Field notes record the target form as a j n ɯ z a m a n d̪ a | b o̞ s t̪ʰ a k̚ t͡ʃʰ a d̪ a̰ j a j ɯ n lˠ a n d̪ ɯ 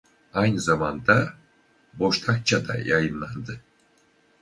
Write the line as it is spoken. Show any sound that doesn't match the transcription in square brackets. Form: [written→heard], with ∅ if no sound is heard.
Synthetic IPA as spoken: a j n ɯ z a m a n d̪ a | b o̞ [s→ʃ] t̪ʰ a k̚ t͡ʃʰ a d̪ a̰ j a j ɯ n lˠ a n d̪ ɯ